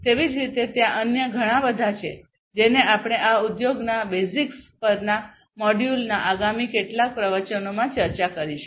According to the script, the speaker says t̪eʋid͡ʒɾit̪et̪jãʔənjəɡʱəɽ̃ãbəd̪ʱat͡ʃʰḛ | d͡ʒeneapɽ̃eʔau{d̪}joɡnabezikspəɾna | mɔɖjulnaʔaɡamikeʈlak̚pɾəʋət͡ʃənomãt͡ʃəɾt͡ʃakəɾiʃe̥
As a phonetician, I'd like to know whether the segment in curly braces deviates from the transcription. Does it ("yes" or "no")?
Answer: no